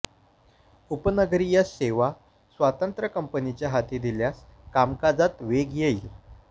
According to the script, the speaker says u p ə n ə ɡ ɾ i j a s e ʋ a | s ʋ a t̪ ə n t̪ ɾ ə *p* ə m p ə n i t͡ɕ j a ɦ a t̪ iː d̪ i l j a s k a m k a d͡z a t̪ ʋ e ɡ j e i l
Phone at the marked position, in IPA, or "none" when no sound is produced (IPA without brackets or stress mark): k